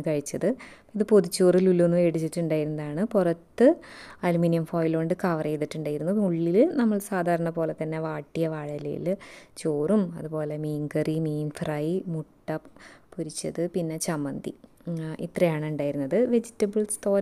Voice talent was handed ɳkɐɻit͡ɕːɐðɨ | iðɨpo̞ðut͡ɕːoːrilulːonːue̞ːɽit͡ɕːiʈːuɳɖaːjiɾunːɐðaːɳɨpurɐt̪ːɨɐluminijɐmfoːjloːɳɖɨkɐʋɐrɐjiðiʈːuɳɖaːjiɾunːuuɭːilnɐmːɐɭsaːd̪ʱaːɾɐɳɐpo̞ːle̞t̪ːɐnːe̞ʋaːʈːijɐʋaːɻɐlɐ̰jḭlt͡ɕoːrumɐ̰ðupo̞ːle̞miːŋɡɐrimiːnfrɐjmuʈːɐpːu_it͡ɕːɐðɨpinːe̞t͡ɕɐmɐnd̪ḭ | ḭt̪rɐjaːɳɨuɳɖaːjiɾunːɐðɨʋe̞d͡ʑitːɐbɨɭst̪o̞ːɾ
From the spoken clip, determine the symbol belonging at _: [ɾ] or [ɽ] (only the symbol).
ɾ